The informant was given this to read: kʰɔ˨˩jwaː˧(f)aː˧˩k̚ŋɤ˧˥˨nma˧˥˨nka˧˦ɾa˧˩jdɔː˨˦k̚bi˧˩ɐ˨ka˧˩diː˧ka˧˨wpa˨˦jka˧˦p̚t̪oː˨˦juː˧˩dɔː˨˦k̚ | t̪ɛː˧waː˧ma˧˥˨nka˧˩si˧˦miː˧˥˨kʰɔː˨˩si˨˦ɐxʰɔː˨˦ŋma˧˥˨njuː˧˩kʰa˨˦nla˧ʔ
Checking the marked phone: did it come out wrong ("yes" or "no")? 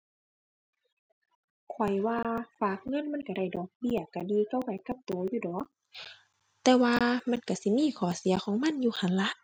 no